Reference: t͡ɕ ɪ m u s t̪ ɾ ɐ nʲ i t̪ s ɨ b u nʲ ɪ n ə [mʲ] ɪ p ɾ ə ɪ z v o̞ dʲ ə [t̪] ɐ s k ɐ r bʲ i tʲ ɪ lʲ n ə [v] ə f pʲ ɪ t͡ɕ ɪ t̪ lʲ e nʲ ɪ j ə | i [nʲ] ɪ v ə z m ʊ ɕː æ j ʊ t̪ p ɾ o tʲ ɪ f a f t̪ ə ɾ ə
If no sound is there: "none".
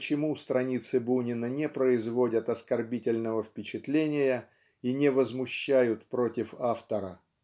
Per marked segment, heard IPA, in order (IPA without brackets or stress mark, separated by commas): nʲ, t̪, v, nʲ